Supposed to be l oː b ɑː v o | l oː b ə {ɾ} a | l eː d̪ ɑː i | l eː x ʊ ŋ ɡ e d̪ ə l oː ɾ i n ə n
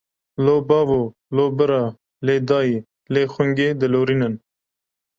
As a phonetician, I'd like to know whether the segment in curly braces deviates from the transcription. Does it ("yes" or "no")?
no